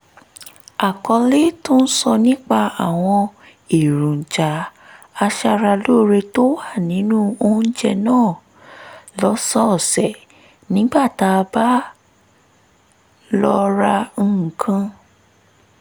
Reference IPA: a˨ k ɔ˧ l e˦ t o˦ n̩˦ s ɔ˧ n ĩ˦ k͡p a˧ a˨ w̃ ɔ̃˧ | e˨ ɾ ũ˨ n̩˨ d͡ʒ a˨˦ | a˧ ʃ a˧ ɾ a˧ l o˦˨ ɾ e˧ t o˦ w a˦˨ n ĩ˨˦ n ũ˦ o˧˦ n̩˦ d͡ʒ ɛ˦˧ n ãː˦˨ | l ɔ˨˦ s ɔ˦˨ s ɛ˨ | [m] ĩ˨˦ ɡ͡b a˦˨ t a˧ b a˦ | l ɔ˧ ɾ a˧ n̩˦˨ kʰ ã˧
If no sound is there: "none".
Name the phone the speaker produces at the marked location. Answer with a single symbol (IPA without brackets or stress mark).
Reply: n